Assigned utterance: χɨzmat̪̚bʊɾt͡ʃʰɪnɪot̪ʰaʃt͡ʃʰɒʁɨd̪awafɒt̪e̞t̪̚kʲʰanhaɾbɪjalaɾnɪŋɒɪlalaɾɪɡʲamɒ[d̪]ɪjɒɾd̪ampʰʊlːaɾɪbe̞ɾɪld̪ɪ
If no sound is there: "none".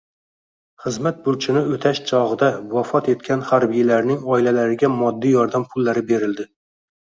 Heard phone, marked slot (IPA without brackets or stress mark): d̪ː